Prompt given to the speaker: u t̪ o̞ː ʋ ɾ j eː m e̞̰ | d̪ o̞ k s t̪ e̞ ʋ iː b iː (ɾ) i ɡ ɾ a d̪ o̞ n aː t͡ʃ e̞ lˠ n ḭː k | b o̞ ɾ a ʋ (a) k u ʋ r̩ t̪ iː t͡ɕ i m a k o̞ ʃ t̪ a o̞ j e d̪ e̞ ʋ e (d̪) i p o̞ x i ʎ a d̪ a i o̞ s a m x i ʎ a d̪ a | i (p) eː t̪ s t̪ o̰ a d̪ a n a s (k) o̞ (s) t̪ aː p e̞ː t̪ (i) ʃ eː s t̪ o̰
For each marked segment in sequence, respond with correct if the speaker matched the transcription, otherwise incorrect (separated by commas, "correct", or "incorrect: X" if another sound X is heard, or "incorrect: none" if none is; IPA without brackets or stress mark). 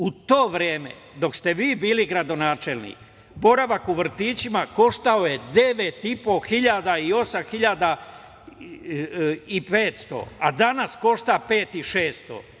incorrect: l, correct, incorrect: t̪, correct, correct, incorrect: ʃ, correct